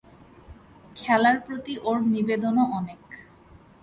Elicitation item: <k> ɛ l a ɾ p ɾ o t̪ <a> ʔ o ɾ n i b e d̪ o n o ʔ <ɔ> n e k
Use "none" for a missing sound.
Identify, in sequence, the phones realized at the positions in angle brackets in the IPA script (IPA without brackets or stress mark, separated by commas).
kʰ, i, ɔ